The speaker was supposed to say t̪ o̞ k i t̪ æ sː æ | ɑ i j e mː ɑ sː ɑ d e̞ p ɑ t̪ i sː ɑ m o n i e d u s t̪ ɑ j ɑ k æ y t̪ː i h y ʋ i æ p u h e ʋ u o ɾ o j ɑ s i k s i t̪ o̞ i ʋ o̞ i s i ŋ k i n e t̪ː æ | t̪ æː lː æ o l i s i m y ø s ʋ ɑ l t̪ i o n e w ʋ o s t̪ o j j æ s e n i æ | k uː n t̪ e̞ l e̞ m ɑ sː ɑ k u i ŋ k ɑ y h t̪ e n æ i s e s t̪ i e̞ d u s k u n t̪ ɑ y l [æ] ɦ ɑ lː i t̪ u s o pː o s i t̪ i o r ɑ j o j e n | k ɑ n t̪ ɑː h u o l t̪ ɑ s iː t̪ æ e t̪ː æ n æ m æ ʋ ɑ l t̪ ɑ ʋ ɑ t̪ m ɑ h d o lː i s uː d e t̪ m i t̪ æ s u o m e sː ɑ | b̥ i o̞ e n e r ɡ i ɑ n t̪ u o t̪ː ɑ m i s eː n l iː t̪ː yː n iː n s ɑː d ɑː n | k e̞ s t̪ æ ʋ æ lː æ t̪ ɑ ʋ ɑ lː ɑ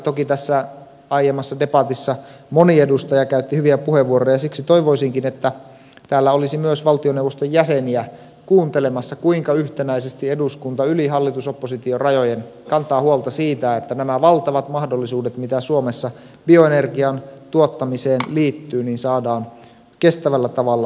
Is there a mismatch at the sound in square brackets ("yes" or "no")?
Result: yes